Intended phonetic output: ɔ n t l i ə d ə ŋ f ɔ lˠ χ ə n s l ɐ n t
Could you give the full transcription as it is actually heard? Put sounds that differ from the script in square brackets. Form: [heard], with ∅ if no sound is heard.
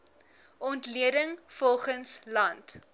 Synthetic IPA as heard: ɔ n t l i ə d ə ŋ f ɔ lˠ χ ə n s l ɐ n t